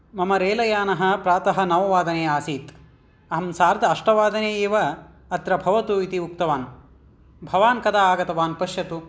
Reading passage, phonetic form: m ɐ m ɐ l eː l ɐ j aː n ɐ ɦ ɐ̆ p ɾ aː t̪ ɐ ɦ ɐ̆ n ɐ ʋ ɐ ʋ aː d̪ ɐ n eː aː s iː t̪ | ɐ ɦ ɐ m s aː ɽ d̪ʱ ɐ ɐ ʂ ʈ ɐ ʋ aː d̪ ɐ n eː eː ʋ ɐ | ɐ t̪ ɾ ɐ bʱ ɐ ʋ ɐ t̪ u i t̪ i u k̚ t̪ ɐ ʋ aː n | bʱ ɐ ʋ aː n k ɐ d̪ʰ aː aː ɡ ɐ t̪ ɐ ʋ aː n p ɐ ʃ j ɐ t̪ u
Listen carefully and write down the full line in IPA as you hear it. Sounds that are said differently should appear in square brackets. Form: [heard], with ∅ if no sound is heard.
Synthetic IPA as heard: m ɐ m ɐ [ɾ] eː l ɐ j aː n ɐ ɦ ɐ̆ p ɾ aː t̪ ɐ ɦ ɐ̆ n ɐ ʋ ɐ ʋ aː d̪ ɐ n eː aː s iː t̪ | ɐ ɦ ɐ m s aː [ɾ] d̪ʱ ɐ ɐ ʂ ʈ ɐ ʋ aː d̪ ɐ n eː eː ʋ ɐ | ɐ t̪ ɾ ɐ bʱ ɐ ʋ ɐ t̪ u i t̪ i u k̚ t̪ ɐ ʋ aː n | bʱ ɐ ʋ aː n k ɐ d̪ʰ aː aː ɡ ɐ t̪ ɐ ʋ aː n p ɐ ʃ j ɐ t̪ u